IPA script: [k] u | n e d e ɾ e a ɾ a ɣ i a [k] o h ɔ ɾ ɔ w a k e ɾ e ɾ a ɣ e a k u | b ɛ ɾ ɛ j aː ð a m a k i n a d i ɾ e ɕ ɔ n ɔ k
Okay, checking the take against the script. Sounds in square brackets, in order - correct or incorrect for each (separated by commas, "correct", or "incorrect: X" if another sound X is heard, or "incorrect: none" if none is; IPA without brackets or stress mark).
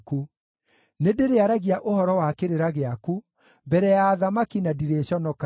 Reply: correct, incorrect: ʔ